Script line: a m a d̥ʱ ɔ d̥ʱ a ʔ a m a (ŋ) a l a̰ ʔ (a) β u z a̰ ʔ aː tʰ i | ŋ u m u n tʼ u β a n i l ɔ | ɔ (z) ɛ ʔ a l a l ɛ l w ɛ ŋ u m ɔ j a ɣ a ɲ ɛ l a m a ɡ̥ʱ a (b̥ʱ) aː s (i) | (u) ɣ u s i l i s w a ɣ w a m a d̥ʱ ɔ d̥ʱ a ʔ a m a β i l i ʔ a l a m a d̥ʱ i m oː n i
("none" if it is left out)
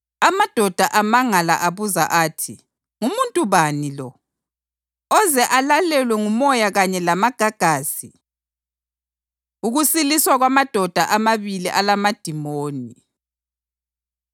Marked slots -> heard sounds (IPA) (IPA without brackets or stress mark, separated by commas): ŋ, a, z, ɡ̥ʱ, i, u